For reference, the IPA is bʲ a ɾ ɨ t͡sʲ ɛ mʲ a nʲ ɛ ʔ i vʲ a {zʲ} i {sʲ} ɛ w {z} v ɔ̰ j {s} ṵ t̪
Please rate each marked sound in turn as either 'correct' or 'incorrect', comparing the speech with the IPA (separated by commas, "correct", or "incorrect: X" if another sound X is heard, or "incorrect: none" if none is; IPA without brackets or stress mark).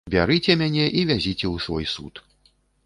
correct, incorrect: t͡sʲ, incorrect: s, correct